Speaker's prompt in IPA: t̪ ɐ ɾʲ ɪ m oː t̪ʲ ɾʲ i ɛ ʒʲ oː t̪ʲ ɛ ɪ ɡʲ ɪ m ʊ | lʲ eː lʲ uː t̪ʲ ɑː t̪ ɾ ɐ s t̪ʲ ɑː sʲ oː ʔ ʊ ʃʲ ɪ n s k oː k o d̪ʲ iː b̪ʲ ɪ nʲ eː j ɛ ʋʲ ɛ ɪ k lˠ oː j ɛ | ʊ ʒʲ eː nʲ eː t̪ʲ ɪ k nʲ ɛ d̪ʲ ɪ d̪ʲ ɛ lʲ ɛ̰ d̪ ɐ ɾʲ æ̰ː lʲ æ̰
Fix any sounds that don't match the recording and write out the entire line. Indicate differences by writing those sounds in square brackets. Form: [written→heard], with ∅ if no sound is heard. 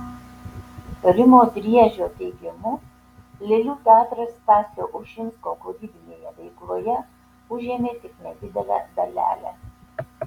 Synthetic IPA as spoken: t̪ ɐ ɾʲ ɪ m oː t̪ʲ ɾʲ i ɛ ʒʲ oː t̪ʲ ɛ ɪ ɡʲ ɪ m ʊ | lʲ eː lʲ uː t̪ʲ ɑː t̪ ɾ ɐ s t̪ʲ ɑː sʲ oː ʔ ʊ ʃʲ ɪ n s k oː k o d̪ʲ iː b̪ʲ ɪ nʲ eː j ɛ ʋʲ ɛ ɪ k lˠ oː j ɛ | ʊ ʒʲ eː [nʲ→mʲ] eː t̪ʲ ɪ k nʲ ɛ d̪ʲ ɪ d̪ʲ ɛ lʲ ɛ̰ d̪ ɐ [ɾʲ→lʲ] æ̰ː lʲ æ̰